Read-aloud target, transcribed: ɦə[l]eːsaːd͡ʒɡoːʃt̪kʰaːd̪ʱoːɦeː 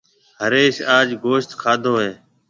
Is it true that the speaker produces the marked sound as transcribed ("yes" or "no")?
no